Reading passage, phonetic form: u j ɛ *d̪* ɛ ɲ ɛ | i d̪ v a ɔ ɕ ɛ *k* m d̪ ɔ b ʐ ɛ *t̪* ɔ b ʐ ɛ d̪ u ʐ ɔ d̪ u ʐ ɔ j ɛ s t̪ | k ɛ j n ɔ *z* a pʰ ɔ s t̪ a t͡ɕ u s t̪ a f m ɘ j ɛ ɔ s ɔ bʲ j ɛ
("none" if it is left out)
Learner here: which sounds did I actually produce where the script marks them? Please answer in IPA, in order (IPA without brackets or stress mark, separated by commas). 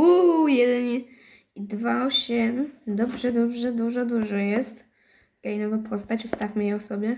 d̪, none, d̪, v